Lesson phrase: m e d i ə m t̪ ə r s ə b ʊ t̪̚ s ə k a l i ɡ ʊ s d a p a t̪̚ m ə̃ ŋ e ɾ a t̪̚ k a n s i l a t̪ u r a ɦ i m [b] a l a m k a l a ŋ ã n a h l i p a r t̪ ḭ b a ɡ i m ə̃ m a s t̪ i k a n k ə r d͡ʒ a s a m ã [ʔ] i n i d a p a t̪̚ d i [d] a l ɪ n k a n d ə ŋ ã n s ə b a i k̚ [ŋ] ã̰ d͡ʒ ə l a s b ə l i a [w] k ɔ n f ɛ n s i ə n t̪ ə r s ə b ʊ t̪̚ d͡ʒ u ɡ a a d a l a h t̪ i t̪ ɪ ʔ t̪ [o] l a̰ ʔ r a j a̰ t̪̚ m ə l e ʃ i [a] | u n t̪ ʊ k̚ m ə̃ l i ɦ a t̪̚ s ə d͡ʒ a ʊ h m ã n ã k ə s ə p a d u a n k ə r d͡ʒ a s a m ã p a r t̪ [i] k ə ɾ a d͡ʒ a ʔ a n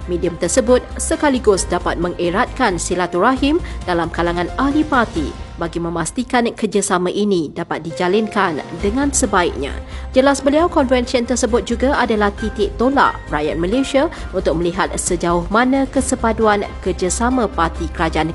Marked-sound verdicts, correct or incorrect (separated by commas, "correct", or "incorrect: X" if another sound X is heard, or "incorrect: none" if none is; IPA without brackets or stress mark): incorrect: d, correct, incorrect: d͡ʒ, incorrect: ɲ, correct, correct, correct, correct